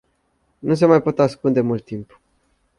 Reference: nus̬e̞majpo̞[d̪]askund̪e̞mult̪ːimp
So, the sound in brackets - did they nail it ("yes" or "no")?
no